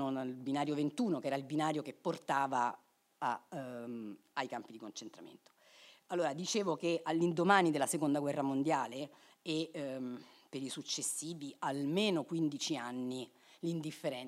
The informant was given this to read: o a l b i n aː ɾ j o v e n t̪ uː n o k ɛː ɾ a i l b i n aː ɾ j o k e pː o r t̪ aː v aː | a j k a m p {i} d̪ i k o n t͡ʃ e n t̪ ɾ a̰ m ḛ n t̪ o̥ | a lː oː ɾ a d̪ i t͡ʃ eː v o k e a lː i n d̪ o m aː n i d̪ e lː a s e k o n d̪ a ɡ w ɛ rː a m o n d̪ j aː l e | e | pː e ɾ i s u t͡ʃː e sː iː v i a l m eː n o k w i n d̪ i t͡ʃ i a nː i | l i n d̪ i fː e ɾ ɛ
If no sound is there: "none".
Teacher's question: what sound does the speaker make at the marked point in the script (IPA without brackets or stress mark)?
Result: i